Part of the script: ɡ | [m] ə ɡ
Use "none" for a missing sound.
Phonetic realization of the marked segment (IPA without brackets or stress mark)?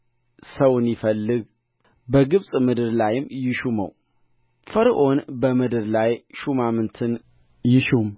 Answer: b